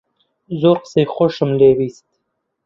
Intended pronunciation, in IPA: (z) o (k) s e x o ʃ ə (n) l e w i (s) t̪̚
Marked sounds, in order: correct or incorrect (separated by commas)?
correct, incorrect, incorrect, correct